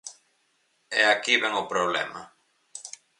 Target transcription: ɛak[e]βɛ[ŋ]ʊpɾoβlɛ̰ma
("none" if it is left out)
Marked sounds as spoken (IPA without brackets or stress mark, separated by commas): i, ŋ